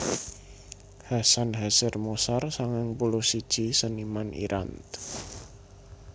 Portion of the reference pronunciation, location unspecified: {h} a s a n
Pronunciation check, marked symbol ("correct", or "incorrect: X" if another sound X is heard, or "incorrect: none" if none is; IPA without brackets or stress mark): correct